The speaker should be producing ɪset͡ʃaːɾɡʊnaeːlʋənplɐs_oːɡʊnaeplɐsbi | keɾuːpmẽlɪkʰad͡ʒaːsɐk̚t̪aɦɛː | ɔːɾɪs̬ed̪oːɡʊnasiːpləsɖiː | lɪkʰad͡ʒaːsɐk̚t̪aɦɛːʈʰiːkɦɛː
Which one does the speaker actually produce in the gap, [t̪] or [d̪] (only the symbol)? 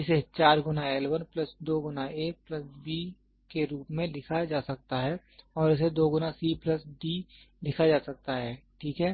d̪